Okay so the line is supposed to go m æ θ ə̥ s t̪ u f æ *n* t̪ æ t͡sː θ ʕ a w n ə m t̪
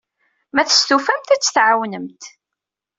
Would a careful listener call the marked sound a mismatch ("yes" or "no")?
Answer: yes